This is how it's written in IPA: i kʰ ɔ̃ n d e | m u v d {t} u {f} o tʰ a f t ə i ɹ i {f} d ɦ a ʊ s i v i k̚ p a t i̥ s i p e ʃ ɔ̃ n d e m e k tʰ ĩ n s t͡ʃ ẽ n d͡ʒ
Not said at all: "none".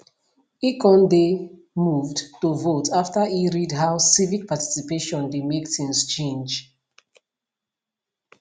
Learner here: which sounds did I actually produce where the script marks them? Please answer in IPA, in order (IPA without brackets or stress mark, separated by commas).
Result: t, v, none